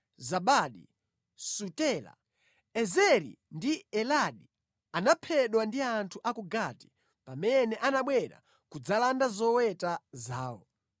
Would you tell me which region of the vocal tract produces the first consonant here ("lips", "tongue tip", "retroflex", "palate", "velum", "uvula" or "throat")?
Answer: tongue tip